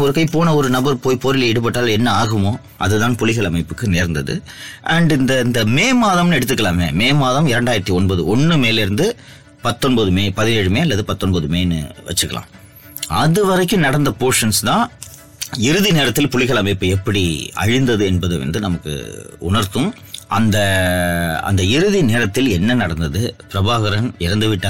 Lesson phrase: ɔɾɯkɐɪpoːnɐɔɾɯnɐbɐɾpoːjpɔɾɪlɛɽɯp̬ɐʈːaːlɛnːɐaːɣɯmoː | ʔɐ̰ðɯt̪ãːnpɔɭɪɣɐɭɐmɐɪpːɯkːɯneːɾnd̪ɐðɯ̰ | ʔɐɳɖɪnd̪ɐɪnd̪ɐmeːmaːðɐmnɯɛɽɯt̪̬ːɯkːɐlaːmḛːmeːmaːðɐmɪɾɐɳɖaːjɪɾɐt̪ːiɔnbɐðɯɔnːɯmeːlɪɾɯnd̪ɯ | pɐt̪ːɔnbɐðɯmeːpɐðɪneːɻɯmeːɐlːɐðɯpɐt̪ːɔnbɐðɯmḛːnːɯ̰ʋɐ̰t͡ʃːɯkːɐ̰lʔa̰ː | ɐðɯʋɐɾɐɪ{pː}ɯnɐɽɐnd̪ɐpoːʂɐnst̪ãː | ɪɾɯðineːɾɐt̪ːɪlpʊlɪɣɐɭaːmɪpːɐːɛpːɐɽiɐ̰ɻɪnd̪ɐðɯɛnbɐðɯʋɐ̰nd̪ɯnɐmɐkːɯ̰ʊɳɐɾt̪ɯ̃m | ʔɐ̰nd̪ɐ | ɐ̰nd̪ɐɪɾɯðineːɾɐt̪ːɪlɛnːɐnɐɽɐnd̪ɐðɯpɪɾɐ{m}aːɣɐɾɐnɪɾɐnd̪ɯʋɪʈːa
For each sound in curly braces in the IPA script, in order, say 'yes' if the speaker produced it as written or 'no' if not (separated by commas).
no, no